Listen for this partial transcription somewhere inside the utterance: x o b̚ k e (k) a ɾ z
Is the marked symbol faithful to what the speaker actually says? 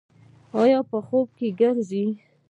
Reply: no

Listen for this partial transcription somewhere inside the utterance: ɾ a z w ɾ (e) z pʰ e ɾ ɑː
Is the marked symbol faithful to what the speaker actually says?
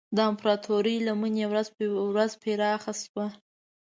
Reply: no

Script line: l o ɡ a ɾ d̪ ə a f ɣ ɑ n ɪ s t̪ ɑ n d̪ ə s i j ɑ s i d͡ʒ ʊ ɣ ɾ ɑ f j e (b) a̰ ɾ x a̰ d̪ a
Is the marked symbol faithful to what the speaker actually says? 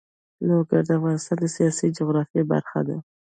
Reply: yes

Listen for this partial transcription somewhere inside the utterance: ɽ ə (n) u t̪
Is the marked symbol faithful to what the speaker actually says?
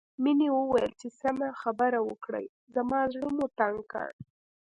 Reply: no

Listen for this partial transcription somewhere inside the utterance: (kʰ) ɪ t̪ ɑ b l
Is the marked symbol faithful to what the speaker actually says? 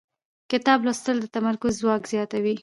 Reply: no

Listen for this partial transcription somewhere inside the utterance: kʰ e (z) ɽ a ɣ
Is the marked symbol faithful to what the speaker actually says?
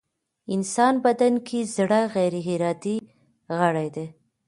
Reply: yes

